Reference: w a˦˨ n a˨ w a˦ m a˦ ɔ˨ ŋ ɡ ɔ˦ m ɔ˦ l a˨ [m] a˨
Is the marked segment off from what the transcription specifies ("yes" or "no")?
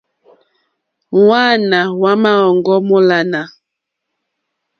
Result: yes